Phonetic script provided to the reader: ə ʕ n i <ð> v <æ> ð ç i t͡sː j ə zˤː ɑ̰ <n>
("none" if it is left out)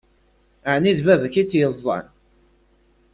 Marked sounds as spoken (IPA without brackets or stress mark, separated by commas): ð, æ, n